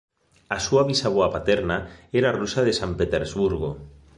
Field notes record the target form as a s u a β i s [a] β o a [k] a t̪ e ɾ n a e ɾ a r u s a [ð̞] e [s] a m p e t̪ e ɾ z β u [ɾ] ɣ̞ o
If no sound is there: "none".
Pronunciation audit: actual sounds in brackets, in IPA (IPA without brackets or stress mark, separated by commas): a, p, ð̞, s, ɾ